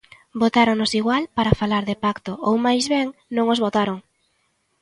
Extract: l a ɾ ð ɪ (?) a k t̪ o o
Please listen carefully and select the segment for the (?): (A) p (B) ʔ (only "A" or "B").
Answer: A